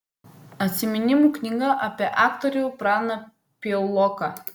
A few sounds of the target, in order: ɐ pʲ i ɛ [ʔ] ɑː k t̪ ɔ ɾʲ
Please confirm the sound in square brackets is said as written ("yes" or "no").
yes